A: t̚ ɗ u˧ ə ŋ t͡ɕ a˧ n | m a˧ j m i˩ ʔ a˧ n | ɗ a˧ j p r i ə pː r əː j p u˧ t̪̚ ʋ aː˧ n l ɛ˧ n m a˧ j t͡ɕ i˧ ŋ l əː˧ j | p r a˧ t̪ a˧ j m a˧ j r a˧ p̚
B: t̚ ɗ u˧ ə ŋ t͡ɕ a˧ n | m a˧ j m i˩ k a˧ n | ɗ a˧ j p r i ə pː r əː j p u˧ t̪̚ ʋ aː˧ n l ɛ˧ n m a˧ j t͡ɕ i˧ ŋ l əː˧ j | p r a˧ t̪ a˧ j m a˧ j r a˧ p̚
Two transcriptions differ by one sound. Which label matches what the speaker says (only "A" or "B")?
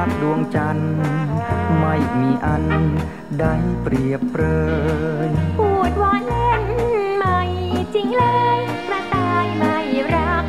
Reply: A